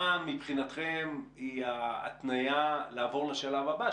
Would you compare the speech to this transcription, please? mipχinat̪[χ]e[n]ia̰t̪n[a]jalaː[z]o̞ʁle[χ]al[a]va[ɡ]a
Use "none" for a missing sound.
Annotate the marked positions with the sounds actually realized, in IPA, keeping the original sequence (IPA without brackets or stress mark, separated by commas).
χ, m, a, v, ʃ, a, b